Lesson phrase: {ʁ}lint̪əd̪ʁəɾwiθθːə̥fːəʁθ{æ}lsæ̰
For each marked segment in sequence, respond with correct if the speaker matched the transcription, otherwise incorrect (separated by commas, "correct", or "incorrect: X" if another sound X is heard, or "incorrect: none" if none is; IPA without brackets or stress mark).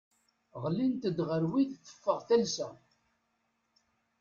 correct, correct